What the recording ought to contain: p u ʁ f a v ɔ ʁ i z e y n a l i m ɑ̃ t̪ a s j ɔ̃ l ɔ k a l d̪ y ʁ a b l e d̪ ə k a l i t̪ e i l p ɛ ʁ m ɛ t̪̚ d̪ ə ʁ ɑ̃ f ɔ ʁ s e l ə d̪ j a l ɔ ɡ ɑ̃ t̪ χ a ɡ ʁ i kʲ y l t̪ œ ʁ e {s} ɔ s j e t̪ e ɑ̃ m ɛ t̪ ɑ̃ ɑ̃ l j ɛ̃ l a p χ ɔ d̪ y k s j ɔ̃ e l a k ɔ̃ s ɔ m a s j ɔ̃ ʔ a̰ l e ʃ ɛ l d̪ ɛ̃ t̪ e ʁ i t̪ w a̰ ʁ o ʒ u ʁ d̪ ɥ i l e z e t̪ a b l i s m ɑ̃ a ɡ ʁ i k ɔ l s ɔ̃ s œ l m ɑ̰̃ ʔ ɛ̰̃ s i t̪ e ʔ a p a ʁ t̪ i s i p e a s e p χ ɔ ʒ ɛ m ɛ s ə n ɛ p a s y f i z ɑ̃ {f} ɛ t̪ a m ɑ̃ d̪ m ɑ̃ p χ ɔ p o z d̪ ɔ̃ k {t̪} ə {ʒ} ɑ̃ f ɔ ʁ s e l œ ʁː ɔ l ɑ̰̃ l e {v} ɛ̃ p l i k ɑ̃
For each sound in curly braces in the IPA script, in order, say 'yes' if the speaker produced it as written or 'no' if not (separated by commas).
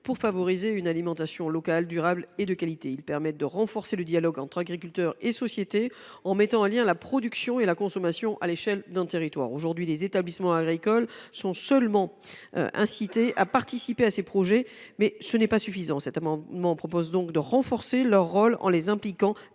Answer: yes, no, no, no, no